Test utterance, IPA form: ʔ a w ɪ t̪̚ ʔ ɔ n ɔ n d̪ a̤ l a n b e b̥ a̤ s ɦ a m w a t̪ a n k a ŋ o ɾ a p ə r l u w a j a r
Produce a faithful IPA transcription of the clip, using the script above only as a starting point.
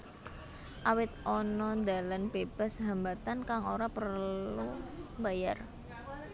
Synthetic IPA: ʔ a w ɪ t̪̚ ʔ ɔ n ɔ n d̪ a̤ l a n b e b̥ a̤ s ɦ a m b a t̪ a n k a ŋ o ɾ a p ə r l u b a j a r